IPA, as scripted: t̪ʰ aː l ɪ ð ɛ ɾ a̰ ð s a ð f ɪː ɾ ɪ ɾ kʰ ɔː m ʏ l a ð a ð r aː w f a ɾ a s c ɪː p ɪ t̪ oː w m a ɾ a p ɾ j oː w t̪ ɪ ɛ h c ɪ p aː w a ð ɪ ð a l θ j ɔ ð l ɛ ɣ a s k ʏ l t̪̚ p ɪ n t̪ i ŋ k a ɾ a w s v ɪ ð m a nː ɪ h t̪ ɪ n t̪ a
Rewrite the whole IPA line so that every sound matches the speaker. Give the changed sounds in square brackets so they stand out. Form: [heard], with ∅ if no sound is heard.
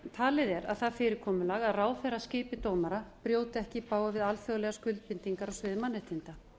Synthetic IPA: t̪ʰ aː l ɪ ð ɛ ɾ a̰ ð [θ] a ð f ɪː ɾ ɪ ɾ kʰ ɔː m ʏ l a [ɣ] a ð r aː w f [ɛ] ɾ a s c ɪː p ɪ t̪ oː w m a ɾ a p ɾ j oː w t̪ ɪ ɛ h c ɪ p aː w a [v] ɪ ð a l [f] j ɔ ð l ɛ ɣ a s k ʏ l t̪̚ p ɪ n t̪ i ŋ k a ɾ a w s v ɪ ð m a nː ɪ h t̪ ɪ n t̪ a

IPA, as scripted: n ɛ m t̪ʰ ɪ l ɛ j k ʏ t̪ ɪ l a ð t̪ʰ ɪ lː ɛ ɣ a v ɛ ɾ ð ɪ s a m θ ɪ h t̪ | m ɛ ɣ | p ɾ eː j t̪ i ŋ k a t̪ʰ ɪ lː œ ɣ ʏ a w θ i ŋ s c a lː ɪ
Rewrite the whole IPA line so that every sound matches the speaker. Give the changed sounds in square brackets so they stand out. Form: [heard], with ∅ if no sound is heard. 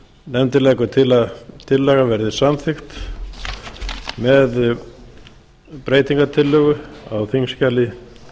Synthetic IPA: n ɛ m [t̪] ɪ l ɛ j k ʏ [t̪ʰ] ɪ l a ð t̪ʰ ɪ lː ɛ ɣ a v ɛ ɾ ð ɪ s a m θ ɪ [x] t̪ | m ɛ [ð] | p ɾ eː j t̪ i ŋ k a t̪ʰ ɪ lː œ ɣ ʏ a w θ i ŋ s c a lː ɪ

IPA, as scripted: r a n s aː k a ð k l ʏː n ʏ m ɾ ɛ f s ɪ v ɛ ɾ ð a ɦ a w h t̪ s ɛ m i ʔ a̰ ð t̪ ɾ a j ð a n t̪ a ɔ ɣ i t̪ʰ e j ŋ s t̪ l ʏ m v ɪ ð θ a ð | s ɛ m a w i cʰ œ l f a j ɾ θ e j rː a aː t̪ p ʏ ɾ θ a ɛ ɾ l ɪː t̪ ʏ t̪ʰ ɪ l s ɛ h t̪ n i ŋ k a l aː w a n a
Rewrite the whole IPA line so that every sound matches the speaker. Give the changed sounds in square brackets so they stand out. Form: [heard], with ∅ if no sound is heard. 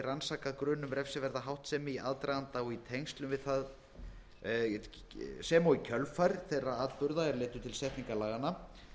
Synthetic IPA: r a n s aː k a ð k [ɾ] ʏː n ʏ m ɾ ɛ f s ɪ v ɛ ɾ ð a ɦ a w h t̪ s ɛ m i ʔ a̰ ð t̪ ɾ a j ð a n t̪ a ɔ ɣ i t̪ʰ e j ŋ s t̪ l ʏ m v ɪ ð θ a ð | s ɛ m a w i cʰ œ l f a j ɾ θ e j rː a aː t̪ p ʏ ɾ [ð] a ɛ ɾ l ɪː t̪ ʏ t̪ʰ ɪ l s ɛ h t̪ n i ŋ k a l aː [ɣ] a n a

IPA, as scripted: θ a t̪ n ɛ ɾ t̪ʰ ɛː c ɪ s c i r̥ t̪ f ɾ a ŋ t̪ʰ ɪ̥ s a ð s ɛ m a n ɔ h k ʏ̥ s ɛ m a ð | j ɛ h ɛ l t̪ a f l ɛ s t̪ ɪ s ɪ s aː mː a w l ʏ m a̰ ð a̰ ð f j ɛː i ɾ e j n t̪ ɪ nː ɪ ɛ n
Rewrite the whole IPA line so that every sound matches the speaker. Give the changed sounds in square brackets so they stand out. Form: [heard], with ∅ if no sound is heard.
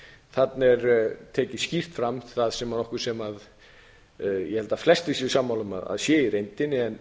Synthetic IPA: θ a t̪ n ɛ ɾ t̪ʰ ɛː c ɪ s c i r̥ t̪ f ɾ a [m] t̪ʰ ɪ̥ [θ] a ð s ɛ m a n ɔ h k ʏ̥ s ɛ m a ð | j ɛ h ɛ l t̪ a f l ɛ s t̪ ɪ s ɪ s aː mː a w l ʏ m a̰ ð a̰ ð [s] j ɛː i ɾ e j n t̪ ɪ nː ɪ ɛ n

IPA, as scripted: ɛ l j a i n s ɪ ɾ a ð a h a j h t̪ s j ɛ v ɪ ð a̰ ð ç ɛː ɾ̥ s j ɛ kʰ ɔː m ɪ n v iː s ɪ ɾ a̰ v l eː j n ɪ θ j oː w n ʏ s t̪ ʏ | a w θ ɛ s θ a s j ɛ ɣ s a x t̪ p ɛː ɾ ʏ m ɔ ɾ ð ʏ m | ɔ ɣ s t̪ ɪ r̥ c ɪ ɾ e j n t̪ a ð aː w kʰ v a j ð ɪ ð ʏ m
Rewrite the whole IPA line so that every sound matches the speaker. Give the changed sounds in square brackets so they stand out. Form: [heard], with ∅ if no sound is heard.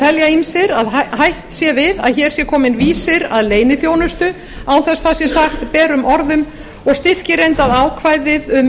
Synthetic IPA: ɛ l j a i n s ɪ ɾ a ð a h a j h t̪ s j ɛ v ɪ ð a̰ ð ç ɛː ɾ̥ s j ɛ kʰ ɔː m ɪ n v iː s ɪ ɾ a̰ [ð] l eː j n ɪ θ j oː w n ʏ s t̪ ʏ | a w θ ɛ s θ a s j ɛ [∅] s a x t̪ p ɛː ɾ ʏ m ɔ ɾ ð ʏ m | ɔ ɣ s t̪ ɪ r̥ c ɪ ɾ e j n t̪ a ð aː w kʰ v a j ð ɪ ð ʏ m

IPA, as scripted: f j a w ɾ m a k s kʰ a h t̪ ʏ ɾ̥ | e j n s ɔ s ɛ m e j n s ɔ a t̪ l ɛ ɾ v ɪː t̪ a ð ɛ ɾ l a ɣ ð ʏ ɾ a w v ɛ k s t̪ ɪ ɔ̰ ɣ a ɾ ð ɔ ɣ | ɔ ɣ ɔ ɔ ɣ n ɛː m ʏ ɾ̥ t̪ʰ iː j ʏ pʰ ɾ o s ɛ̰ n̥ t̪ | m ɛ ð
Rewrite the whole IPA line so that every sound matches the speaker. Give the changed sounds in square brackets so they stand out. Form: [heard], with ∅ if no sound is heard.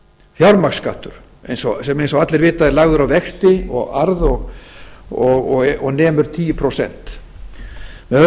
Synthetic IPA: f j a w ɾ m a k s [k] a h t̪ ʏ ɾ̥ | e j n s ɔ s ɛ m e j n s ɔ a t̪ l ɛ ɾ v ɪː t̪ a ð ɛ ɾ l a ɣ ð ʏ ɾ a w v ɛ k s t̪ ɪ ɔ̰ ɣ a ɾ ð ɔ ɣ | ɔ ɣ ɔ ɔ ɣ n ɛː m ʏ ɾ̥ t̪ʰ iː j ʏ pʰ ɾ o s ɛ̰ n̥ t̪ | m ɛ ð

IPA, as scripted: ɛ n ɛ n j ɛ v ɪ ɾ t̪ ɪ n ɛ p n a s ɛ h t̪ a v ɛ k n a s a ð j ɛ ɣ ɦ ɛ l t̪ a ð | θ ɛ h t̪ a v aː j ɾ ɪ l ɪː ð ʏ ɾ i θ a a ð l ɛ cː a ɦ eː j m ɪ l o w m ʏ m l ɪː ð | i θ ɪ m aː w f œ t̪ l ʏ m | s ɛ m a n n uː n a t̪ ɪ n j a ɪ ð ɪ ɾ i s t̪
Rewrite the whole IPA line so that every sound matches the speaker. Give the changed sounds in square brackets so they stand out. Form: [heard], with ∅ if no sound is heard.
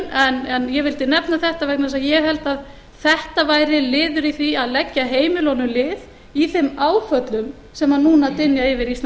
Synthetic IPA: ɛ n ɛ n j ɛ v ɪ [l] t̪ ɪ n ɛ p n a [θ] ɛ h t̪ a v ɛ k n a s a ð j ɛ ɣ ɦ ɛ l t̪ a ð | θ ɛ h t̪ a v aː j ɾ ɪ l ɪː ð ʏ ɾ i θ [i] a ð l ɛ cː a ɦ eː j m ɪ l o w [n] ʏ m l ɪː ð | i θ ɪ m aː w f œ t̪ l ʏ m | s ɛ m a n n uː n a t̪ ɪ n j a ɪ [v] ɪ ɾ i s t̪

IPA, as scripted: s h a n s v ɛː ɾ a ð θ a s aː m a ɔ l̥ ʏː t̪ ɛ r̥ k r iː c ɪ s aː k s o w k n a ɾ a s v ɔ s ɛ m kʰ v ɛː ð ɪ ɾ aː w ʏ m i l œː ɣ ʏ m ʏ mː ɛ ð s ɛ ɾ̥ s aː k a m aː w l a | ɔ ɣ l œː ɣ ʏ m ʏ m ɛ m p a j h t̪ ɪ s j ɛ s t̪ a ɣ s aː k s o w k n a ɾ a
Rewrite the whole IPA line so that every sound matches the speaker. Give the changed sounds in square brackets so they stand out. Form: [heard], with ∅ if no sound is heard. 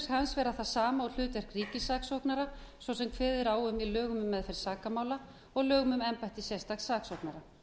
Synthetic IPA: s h a n s v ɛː ɾ a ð θ a s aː m a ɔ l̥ ʏː t̪ ɛ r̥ k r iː c ɪ s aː k s o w k n a ɾ a s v ɔ s ɛ m kʰ v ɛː ð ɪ ɾ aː w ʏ m i l œː ɣ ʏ m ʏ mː ɛ ð [f] ɛ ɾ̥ s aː k a m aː w l a | ɔ ɣ l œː ɣ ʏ m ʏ m ɛ m p a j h t̪ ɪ s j ɛ s t̪ a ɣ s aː k s o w k n a ɾ a

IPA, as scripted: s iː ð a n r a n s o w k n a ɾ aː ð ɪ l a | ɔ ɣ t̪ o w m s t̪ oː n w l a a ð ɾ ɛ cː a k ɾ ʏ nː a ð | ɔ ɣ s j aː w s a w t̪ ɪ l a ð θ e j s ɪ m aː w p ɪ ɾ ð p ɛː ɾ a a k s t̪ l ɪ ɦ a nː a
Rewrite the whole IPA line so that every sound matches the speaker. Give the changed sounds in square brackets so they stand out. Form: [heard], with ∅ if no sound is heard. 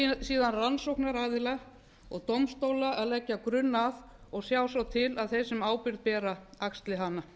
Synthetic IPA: s iː ð a n r a n s o w k n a ɾ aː ð ɪ l a | ɔ ɣ t̪ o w m s t̪ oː [∅] w l a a ð [l] ɛ cː a k ɾ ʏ nː a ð | ɔ ɣ s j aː w s a w [t̪ʰ] ɪ l a ð θ e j s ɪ m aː w p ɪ ɾ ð p ɛː ɾ a a k s t̪ l ɪ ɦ a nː a

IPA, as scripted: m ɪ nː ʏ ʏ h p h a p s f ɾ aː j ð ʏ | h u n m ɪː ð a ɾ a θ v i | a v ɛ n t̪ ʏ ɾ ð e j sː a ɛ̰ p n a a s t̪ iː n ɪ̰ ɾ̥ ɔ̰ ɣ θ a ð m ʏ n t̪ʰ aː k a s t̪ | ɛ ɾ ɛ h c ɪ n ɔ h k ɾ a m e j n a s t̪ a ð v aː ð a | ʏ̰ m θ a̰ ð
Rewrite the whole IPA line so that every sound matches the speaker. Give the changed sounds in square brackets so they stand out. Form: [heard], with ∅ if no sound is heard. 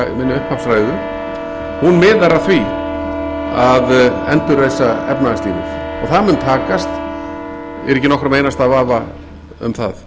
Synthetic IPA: m ɪ nː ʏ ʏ h p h a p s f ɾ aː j ð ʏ | h u n m ɪː ð a ɾ a θ v i | a [ð] ɛ n t̪ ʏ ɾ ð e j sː a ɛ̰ p n a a s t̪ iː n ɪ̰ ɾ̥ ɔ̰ ɣ θ a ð m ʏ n t̪ʰ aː k a s t̪ | ɛ ɾ ɛ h c ɪ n ɔ h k ɾ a m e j n a s t̪ a ð v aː [v] a | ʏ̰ m θ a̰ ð

